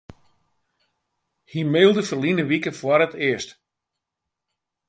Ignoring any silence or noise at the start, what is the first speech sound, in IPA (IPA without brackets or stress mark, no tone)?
h